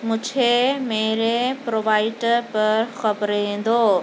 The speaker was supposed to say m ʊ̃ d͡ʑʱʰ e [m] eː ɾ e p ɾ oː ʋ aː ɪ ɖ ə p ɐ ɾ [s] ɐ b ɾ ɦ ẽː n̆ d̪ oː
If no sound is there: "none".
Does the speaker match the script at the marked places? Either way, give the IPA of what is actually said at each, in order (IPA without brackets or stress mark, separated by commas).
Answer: m, x